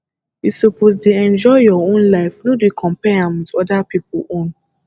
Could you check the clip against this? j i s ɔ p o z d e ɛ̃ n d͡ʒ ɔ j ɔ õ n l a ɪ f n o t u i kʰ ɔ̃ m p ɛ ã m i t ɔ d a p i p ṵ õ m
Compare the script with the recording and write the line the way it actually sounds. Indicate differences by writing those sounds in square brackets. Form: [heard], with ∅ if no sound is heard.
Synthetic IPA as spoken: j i s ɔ p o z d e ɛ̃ n d͡ʒ ɔ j ɔ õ n l a ɪ f n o [d] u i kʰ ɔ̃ m p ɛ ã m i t ɔ d a p i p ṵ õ [n]